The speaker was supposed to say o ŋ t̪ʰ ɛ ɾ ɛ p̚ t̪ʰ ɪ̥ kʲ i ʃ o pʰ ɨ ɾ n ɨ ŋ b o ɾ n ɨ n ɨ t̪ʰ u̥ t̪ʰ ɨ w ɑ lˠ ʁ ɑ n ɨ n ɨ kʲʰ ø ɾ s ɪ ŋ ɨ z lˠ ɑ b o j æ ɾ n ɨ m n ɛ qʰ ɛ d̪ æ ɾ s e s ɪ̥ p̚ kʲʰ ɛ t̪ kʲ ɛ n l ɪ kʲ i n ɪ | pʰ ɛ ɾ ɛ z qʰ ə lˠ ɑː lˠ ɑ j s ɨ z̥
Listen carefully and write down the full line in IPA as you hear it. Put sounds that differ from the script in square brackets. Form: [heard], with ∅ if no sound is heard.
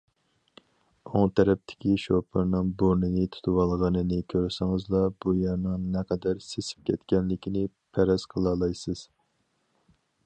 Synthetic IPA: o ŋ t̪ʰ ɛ ɾ ɛ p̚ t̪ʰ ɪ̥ kʲ i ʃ o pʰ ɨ ɾ n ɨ ŋ b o ɾ n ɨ n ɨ t̪ʰ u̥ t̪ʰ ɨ w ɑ lˠ ʁ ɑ n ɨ n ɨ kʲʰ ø ɾ s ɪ ŋ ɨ z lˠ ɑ b [u] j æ ɾ n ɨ [ŋ] n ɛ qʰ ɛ d̪ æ ɾ s e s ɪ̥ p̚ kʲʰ ɛ t̪ kʲ ɛ n l ɪ kʲ i n ɪ | pʰ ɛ ɾ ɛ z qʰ ə lˠ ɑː lˠ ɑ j s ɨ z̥